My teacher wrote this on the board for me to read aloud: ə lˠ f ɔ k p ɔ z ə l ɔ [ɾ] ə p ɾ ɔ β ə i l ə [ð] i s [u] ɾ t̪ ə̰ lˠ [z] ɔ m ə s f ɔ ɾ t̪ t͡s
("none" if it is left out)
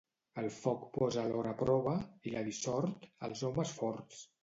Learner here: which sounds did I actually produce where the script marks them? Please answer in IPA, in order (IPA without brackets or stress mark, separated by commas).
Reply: ɾ, ð, ɔ, z